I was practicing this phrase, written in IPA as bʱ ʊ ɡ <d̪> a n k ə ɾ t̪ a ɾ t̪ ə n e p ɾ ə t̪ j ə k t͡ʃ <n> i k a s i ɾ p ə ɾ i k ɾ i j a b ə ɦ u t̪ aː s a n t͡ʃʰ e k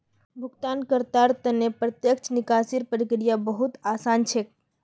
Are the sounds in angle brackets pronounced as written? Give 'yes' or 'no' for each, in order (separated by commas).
no, yes